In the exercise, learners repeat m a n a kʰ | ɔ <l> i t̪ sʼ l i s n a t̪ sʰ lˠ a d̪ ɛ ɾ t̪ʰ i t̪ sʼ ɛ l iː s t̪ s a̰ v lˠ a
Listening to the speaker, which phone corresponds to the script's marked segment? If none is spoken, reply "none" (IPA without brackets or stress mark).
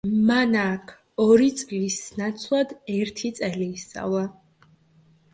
ɾ